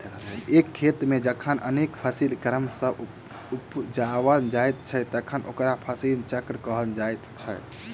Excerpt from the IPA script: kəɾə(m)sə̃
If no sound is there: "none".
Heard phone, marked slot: m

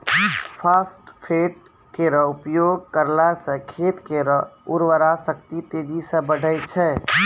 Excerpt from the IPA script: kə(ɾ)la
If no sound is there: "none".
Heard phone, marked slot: ɾ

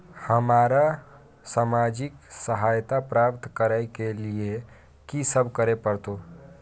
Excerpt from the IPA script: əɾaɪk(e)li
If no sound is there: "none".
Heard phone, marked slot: e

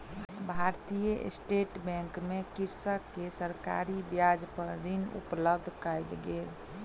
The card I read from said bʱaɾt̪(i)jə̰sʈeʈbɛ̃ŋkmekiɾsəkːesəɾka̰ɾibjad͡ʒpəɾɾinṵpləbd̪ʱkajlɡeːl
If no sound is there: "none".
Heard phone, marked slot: i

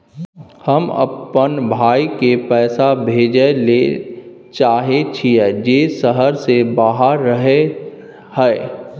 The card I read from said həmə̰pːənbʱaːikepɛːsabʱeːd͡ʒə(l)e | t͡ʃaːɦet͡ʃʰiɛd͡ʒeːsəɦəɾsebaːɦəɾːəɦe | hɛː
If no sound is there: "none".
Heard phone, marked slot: l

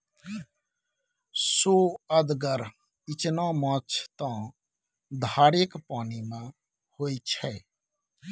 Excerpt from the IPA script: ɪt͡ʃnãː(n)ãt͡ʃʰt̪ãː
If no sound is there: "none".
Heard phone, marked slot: m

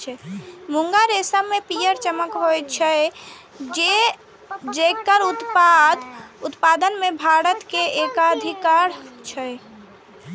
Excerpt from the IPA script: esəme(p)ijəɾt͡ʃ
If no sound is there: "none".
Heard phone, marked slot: p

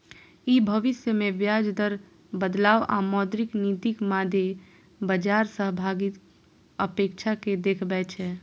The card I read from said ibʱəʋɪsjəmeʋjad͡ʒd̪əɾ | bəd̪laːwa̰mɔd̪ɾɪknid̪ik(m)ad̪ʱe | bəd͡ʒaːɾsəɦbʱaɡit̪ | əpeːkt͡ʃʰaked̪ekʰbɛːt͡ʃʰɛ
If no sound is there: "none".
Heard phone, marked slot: m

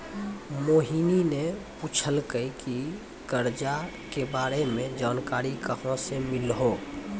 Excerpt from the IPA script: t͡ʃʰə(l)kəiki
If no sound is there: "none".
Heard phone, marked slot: l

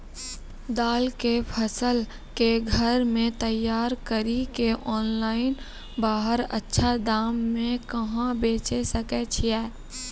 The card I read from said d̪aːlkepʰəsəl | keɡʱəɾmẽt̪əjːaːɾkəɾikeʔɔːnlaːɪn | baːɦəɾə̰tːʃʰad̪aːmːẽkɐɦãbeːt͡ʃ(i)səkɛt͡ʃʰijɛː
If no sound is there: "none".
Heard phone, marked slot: e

